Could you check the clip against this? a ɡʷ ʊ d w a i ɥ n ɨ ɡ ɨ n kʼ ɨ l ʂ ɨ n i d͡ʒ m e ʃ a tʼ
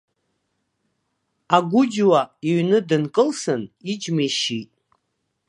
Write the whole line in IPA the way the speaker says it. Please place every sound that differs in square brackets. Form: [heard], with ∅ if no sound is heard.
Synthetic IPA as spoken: a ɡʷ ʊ [d͡ʒ] w a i ɥ n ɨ [d] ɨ n kʼ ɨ l [s] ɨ n i d͡ʒ m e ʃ [i] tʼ